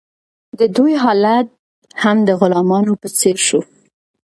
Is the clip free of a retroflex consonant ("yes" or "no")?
yes